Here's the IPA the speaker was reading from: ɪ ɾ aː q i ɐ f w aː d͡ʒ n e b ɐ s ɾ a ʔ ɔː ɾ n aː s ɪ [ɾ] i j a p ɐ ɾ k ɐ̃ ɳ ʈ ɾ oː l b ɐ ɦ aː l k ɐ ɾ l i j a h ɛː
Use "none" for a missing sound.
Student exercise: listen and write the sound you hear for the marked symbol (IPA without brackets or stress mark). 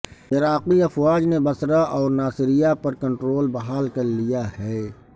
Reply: ɾ